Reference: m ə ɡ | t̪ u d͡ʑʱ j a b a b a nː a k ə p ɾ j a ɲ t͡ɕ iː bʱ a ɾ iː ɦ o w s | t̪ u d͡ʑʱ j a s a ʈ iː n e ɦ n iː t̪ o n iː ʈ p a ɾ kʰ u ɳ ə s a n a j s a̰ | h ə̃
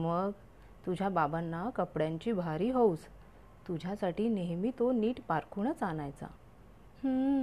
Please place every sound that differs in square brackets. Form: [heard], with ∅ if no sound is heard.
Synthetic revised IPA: m ə ɡ | t̪ u d͡ʑʱ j a b a b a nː a k ə p [ɽ] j a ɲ t͡ɕ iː bʱ a ɾ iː ɦ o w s | t̪ u d͡ʑʱ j a s a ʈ iː n e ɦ [m] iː t̪ o n iː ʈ p a ɾ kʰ u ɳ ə [t͡s] a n a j [t͡s] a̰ | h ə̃